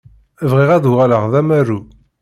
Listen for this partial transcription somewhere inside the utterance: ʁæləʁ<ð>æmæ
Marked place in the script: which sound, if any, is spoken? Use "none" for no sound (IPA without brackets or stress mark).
ð